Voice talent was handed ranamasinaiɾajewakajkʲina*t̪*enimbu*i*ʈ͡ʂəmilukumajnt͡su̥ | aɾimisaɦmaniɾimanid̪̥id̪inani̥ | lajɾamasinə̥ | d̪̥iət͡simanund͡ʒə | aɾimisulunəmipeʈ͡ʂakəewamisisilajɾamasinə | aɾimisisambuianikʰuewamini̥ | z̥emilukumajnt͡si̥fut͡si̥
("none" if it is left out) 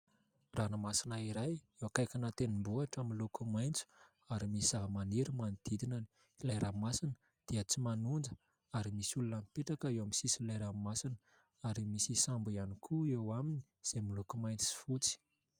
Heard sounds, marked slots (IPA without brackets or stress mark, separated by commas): t̪, a